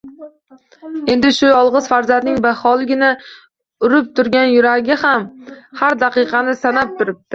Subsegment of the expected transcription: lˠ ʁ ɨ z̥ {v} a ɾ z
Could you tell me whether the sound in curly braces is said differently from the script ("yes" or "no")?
yes